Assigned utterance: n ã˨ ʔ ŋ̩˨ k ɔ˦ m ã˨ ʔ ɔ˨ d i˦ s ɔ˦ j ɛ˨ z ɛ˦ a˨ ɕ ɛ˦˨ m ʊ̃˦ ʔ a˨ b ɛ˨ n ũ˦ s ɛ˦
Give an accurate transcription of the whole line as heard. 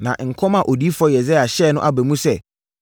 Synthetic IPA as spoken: n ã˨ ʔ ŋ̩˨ kʰ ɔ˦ m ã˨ ʔ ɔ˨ d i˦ f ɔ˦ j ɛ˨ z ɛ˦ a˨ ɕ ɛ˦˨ n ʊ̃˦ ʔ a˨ b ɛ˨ m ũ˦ s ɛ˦